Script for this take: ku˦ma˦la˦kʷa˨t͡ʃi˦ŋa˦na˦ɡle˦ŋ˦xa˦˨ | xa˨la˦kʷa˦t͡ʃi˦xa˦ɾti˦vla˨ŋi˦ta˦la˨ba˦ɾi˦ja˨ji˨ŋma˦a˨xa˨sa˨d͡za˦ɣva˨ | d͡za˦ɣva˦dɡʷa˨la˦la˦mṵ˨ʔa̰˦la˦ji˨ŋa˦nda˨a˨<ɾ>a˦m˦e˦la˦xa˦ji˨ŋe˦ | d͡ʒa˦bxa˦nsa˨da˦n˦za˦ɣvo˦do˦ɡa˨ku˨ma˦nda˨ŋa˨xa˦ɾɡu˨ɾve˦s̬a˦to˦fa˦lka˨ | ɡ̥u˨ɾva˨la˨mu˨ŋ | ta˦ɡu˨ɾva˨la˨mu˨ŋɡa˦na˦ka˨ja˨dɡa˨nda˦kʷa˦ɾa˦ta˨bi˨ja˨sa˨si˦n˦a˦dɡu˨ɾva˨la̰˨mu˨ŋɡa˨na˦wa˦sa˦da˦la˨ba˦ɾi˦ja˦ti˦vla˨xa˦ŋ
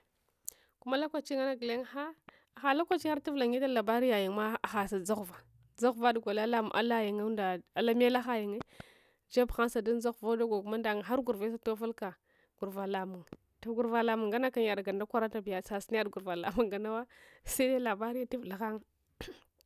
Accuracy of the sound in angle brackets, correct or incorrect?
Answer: incorrect: l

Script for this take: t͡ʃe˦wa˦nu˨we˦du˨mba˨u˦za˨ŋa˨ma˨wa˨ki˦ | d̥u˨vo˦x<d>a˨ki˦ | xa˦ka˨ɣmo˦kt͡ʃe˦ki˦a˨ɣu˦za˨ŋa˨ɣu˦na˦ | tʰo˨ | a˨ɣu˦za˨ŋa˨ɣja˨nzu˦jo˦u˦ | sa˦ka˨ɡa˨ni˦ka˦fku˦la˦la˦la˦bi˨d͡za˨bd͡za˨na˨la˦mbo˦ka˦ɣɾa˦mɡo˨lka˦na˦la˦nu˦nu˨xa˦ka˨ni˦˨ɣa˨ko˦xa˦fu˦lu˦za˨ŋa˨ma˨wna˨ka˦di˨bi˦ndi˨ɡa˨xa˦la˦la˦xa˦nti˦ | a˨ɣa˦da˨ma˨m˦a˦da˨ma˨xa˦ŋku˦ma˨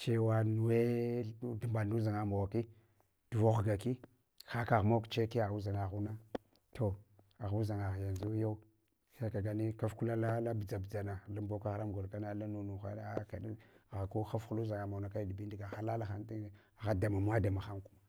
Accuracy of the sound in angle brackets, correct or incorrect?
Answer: incorrect: ɡ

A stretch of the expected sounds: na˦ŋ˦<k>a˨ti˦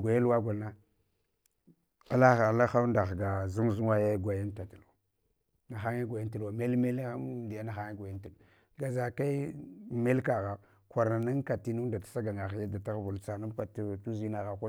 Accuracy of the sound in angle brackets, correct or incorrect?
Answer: correct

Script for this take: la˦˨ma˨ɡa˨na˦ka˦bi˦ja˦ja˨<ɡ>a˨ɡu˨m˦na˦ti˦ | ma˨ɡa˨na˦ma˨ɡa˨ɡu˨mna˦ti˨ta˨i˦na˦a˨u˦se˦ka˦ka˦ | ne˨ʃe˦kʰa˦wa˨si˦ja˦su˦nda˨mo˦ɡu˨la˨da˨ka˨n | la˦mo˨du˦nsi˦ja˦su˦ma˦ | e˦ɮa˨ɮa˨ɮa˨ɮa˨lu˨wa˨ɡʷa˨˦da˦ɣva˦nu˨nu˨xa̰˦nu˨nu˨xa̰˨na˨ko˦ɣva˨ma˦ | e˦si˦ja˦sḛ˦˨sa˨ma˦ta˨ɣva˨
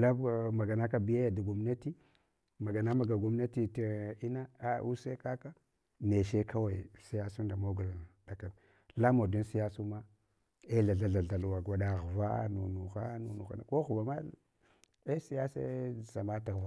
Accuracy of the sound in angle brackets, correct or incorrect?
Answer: incorrect: d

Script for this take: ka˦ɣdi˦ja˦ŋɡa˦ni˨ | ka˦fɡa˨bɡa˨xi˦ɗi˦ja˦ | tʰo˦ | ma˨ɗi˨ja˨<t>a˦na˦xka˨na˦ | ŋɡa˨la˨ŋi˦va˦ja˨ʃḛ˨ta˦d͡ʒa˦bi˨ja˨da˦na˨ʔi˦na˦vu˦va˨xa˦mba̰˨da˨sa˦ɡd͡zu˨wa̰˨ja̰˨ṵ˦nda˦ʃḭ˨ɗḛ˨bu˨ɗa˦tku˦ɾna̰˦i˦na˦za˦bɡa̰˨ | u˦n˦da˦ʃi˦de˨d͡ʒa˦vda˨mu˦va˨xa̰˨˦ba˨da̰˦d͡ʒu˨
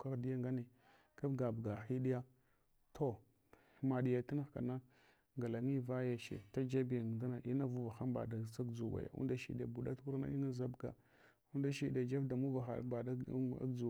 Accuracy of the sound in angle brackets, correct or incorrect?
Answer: correct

